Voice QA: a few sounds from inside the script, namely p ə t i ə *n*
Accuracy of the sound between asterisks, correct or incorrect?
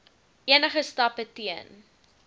correct